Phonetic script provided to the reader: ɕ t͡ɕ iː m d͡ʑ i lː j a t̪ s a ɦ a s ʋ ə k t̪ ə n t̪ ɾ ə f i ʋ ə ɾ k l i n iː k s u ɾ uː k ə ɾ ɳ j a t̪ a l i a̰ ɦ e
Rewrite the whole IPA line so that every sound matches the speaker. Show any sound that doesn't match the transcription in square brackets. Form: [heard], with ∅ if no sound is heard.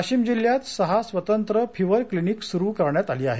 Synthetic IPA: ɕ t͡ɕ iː m d͡ʑ i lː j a t̪ s [ə] ɦ a s ʋ ə [∅] t̪ ə n t̪ ɾ ə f i ʋ ə ɾ k l i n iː k s u ɾ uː k ə ɾ ɳ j a t̪ a l [iː] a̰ ɦ e